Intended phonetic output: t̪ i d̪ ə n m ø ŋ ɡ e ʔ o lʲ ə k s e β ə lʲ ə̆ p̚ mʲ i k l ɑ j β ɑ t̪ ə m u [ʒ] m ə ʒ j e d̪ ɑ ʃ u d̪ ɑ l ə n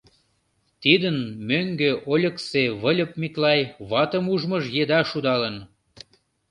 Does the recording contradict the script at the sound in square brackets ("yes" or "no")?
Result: no